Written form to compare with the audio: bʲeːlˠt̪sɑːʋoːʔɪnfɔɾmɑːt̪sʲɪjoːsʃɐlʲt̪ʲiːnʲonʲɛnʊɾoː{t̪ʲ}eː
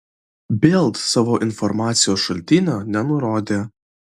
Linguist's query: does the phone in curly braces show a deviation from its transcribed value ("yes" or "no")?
yes